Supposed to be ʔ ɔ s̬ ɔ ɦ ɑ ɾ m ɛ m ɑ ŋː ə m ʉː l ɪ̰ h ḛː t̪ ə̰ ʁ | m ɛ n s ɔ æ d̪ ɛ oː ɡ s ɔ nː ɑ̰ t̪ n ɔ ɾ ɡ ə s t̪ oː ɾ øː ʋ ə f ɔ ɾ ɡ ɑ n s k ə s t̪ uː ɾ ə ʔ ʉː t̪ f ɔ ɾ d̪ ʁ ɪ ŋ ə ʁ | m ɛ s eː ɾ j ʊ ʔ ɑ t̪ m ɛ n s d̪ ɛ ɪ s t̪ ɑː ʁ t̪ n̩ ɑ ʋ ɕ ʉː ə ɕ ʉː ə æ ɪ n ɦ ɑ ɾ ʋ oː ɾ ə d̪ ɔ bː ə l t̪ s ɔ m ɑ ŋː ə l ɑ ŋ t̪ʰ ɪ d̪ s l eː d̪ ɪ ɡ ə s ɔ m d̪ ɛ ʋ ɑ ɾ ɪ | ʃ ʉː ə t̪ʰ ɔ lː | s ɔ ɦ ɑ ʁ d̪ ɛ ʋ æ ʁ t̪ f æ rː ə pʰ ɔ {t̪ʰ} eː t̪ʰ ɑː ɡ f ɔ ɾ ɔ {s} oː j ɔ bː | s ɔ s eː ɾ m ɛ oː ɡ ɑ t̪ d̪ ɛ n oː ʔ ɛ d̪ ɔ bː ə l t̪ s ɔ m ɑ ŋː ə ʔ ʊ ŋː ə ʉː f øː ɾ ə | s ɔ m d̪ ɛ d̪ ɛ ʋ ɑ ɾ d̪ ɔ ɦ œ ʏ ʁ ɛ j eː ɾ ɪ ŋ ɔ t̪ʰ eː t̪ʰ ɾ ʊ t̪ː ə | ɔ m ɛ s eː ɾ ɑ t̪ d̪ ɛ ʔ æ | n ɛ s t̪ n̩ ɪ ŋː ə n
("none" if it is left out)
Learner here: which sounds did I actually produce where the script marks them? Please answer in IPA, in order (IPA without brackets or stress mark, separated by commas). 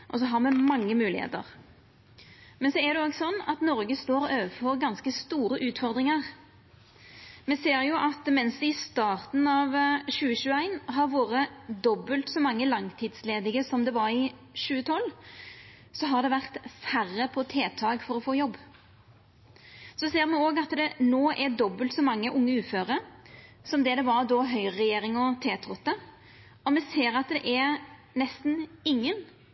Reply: t̪ʰ, f